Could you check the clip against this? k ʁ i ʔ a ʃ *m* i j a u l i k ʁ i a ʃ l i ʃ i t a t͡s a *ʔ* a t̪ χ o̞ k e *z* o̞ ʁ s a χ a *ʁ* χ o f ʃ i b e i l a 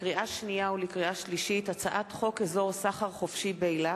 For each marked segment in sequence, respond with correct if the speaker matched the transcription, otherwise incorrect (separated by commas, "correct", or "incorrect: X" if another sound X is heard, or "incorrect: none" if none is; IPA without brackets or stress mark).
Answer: incorrect: n, correct, correct, correct